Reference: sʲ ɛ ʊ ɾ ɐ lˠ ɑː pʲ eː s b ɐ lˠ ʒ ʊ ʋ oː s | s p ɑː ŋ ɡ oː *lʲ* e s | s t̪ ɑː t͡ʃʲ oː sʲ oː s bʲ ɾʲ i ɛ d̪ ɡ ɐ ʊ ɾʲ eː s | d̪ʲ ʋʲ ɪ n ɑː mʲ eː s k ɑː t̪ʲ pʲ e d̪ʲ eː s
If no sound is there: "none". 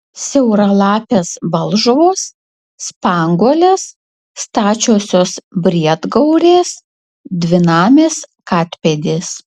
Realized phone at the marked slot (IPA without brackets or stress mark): lʲ